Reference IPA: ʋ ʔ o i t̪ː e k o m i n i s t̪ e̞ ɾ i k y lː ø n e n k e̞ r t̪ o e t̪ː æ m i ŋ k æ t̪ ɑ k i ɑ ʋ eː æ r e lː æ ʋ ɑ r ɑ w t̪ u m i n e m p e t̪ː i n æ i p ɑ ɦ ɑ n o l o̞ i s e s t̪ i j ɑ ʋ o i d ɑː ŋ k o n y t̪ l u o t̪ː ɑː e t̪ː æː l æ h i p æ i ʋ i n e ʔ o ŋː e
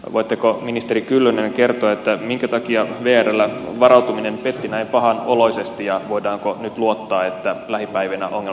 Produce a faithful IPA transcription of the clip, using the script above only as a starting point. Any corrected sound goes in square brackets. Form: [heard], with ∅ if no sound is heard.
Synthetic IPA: ʋ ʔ o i t̪ː e k o m i n i s t̪ e̞ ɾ i k y lː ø n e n k e̞ r t̪ o e t̪ː æ m i ŋ k æ t̪ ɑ k i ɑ ʋ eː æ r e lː æ ʋ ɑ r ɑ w t̪ u m i n e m p e t̪ː i n æ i p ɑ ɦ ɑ n o l o̞ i s e s t̪ i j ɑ ʋ o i d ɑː ŋ k o n y t̪ l u o t̪ː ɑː e t̪ː [æ] l æ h i p æ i ʋ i n [æ] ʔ o ŋː e